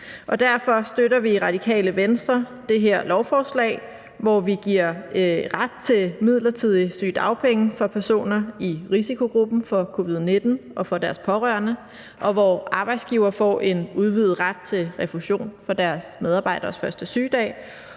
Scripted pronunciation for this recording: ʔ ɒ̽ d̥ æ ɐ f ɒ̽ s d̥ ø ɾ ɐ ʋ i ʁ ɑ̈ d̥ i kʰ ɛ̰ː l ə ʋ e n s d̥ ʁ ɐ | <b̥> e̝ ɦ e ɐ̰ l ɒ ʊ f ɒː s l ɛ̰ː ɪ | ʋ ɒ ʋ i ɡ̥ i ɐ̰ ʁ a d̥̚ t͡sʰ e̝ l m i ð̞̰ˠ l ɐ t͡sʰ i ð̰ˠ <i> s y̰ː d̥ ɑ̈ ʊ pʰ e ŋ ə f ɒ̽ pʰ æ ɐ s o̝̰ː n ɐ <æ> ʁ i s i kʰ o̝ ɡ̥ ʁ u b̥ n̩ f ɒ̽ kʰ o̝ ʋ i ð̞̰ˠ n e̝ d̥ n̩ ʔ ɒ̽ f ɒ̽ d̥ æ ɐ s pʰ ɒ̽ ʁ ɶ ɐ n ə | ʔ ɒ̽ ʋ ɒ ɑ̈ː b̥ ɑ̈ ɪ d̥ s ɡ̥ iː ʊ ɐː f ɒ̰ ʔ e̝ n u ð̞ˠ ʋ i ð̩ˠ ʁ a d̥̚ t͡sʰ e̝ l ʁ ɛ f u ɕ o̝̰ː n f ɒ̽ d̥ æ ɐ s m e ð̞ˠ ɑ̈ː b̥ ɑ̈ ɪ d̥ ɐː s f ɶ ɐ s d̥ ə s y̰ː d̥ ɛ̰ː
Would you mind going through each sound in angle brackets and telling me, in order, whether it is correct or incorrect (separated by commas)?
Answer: incorrect, correct, incorrect